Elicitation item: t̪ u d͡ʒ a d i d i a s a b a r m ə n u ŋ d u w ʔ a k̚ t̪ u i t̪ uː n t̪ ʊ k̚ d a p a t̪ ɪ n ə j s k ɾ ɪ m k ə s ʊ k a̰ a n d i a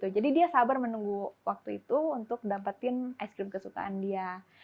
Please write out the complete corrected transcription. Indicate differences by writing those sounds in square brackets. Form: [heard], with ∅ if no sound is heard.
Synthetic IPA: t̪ u d͡ʒ a d i d i a s a b a r m ə n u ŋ [ɡ] u w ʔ a k̚ t̪ u i t̪ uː n t̪ ʊ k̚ d a p a t̪ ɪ n [a] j s k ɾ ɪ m k ə s [u] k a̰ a n d i a